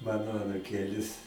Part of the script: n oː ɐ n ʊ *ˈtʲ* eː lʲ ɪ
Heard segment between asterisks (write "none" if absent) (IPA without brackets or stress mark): kʲ